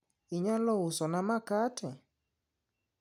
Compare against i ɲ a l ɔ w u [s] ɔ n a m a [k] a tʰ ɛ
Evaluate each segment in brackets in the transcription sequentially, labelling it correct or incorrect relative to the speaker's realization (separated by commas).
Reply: correct, correct